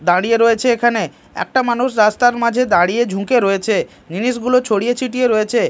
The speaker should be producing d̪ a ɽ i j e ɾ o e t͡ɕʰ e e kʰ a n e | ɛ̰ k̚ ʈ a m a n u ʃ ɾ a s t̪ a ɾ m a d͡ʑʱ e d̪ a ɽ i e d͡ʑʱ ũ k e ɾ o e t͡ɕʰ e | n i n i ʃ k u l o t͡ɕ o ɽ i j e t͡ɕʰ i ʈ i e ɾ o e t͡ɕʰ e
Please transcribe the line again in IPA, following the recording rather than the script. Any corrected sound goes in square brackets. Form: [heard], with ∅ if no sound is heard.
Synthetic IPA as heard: d̪ a ɽ i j e ɾ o e t͡ɕʰ e e kʰ a n e | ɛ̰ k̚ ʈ a m a n u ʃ ɾ a s t̪ a ɾ m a d͡ʑʱ e d̪ a ɽ i e d͡ʑʱ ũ k e ɾ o e t͡ɕʰ e | n i n i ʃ [ɡ] u l o [t͡ɕʰ] o ɽ i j e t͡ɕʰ i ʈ i e ɾ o e t͡ɕʰ e